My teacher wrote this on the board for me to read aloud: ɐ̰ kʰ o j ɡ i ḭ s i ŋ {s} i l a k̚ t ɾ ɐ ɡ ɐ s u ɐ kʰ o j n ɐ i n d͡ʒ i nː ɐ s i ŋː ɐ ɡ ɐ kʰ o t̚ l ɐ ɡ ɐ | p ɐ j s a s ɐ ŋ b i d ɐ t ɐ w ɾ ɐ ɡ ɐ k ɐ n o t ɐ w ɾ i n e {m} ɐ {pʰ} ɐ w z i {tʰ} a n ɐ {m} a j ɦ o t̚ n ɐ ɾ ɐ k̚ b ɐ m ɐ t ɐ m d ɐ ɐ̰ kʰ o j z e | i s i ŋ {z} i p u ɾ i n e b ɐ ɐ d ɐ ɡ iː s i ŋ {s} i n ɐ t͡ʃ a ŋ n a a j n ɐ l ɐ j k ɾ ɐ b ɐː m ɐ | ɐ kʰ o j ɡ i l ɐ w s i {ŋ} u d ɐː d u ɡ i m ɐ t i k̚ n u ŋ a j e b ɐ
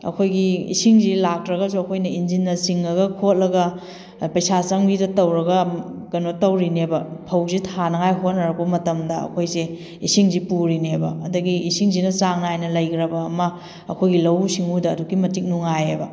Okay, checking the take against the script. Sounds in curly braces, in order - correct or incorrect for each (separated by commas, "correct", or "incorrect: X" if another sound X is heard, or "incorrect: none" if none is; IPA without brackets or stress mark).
incorrect: z, incorrect: b, correct, correct, incorrect: ŋ, correct, incorrect: z, correct